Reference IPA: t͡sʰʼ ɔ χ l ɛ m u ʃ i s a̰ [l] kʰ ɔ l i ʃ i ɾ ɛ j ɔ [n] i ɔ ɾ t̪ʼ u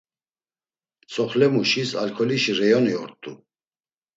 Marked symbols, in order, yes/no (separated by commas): yes, yes